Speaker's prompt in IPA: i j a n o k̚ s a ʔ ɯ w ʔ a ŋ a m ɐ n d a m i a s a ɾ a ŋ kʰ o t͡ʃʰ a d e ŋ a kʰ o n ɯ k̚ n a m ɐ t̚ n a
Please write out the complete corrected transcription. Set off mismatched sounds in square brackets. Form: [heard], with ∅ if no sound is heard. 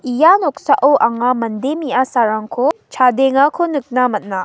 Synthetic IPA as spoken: i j a n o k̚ s a ʔ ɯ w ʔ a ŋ a m ɐ n d [e] m i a s a ɾ a ŋ kʰ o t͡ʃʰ a d e ŋ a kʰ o n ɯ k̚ n a m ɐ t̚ n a

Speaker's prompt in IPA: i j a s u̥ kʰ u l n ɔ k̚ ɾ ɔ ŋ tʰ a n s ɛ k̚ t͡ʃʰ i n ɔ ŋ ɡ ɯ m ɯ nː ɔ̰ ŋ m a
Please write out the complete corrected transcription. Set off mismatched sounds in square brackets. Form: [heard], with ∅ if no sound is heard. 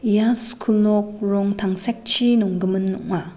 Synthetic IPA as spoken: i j a s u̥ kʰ u l n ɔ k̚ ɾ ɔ ŋ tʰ a [ŋ] s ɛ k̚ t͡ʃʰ i n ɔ ŋ ɡ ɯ m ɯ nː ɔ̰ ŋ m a

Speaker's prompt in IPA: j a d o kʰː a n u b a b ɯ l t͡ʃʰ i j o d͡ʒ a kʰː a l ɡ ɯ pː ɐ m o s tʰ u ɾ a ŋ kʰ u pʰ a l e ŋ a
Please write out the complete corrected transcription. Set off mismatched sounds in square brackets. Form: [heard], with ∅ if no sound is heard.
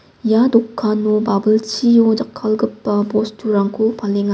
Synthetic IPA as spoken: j a d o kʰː a n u b a b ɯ l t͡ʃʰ i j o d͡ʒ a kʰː a l ɡ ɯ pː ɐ [b] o s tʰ u ɾ a ŋ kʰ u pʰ a l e ŋ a

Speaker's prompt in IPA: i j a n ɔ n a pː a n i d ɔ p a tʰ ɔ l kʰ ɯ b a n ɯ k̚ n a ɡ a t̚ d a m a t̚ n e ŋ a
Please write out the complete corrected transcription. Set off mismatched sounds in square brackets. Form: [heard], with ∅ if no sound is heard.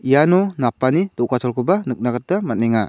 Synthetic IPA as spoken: i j a n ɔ n a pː a n i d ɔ [k] a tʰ ɔ l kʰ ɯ b a n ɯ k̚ n a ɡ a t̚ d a m a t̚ n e ŋ a

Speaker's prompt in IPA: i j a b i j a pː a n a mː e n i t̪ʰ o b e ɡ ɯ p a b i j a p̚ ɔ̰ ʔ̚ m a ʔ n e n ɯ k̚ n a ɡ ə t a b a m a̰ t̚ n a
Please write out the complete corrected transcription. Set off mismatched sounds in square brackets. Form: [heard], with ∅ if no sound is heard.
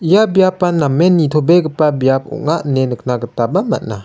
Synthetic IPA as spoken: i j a b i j a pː a n a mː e n i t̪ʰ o b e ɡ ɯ p a b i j a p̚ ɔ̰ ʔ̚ [ŋ] a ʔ n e n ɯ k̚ n a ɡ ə t a b a m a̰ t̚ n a

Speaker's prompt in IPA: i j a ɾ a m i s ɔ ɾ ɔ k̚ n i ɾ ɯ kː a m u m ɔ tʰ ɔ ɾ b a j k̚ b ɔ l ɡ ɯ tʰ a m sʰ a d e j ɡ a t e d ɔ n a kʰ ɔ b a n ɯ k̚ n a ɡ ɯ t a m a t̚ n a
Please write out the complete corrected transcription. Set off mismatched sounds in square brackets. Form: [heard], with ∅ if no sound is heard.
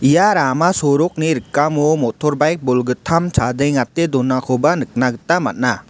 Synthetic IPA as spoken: i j a ɾ a m [a] s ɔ ɾ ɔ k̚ n i ɾ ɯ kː a m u m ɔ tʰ ɔ ɾ b a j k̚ b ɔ l ɡ ɯ tʰ a m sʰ a d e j [ŋ] a t e d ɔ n a kʰ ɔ b a n ɯ k̚ n a ɡ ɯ t a m a t̚ n a

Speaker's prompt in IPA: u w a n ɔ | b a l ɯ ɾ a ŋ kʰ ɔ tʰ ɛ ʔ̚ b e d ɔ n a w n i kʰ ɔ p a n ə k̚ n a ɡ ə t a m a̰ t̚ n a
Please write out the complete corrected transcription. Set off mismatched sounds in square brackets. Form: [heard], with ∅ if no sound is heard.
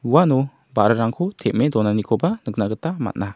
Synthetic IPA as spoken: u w a n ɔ | b a [ɾ] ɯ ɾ a ŋ kʰ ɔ tʰ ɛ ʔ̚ [m] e d ɔ n a [∅] n i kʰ ɔ [b] a n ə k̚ n a ɡ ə t a m a̰ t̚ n a

